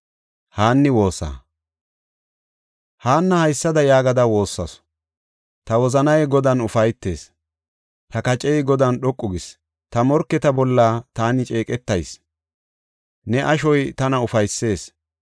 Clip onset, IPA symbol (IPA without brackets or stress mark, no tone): h